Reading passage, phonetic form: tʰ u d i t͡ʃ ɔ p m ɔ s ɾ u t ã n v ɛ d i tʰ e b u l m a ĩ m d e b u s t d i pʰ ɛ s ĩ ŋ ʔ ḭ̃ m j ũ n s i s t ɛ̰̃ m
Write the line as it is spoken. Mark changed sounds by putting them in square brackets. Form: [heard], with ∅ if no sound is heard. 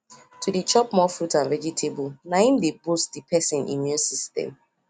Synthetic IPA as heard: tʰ u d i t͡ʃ ɔ p m ɔ [f] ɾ u t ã n v ɛ [d͡ʒ] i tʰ e b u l [n] a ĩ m d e b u s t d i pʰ ɛ s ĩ [n] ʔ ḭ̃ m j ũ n s i s t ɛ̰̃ m